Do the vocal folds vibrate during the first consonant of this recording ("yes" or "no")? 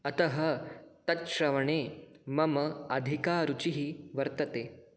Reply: no